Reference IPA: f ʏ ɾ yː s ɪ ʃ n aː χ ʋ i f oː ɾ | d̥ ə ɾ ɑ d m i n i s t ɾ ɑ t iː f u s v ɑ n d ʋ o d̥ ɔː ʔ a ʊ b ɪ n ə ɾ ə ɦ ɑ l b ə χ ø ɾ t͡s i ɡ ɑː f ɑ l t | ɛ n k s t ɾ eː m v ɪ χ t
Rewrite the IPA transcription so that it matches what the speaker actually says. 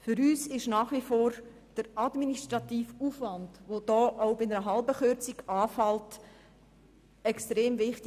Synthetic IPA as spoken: f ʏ ɾ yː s ɪ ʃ n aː χ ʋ i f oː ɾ | d̥ ə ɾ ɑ d m i n i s t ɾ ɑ t iː f u f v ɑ n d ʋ o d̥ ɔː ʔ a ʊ b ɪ n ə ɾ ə ɦ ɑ l b ə χ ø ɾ t͡s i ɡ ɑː f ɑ l t | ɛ k s t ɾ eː m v ɪ χ t